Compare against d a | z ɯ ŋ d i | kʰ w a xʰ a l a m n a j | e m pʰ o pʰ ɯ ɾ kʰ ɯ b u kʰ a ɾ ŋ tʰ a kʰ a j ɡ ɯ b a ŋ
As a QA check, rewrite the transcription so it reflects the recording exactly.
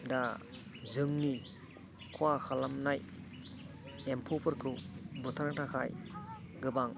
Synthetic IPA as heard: d a | z ɯ ŋ n i | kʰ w a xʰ a l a m n a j | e m pʰ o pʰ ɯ ɾ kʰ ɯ b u tʰ a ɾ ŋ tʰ a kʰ a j ɡ ɯ b a ŋ